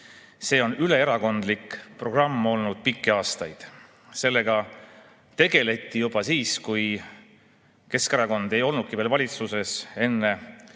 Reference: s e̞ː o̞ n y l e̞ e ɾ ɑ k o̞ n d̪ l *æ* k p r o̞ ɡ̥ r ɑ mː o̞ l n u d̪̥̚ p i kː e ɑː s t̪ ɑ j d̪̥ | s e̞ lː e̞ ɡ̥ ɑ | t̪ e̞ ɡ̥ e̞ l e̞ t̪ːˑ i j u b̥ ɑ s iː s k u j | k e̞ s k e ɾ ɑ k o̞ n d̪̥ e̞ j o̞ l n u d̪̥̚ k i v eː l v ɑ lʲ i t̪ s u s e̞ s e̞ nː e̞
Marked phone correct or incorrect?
incorrect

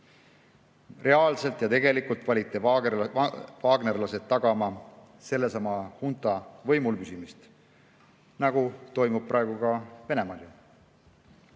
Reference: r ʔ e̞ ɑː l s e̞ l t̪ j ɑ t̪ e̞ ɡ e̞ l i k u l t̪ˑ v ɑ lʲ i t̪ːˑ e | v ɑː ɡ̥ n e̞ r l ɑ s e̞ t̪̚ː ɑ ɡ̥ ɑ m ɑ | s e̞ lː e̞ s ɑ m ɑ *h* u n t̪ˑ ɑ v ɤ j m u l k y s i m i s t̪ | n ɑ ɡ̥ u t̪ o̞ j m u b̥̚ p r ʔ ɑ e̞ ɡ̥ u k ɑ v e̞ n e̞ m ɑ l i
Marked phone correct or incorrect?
correct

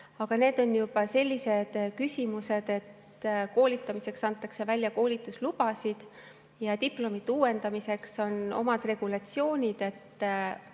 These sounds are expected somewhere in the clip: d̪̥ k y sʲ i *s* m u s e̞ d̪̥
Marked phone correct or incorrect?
incorrect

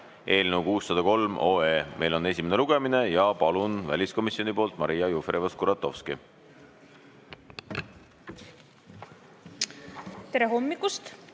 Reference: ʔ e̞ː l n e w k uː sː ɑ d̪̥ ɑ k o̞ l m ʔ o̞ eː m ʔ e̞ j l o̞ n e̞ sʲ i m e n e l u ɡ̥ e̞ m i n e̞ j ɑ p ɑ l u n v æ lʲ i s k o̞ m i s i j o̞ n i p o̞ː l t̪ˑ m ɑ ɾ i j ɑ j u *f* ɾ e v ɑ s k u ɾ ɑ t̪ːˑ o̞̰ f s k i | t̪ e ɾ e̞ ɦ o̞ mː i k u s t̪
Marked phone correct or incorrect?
correct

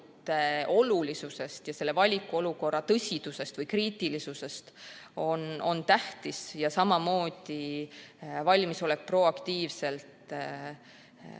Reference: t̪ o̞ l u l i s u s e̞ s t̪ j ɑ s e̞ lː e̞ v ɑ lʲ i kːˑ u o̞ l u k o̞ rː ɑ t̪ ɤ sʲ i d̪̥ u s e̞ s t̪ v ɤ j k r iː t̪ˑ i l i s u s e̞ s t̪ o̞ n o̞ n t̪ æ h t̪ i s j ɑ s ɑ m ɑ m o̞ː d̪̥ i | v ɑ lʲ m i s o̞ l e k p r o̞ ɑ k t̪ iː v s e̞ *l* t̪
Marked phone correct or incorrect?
correct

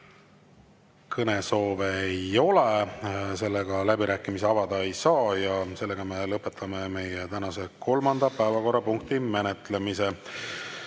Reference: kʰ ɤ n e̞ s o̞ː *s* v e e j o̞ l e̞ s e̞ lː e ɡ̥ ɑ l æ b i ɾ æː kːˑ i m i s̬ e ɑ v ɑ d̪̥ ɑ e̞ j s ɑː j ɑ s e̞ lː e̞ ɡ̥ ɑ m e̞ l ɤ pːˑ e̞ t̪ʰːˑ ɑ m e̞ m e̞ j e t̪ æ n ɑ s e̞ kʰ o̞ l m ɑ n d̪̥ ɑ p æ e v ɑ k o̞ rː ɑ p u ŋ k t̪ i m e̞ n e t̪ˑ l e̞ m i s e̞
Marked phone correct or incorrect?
incorrect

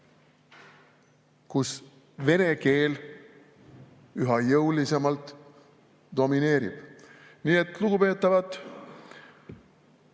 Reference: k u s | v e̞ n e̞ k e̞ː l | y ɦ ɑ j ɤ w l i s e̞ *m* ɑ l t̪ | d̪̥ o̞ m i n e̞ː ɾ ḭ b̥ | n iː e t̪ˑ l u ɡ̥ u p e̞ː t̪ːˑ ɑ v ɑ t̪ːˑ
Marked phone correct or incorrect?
correct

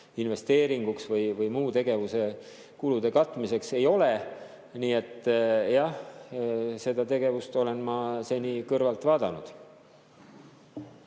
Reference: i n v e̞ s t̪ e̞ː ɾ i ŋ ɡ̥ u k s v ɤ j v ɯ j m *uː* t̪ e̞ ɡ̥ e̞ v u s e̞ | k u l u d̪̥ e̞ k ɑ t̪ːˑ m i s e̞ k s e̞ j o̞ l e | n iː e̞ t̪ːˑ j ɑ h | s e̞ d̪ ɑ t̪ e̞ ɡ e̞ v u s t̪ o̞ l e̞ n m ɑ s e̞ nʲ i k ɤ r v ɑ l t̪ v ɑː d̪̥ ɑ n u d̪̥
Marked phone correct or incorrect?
correct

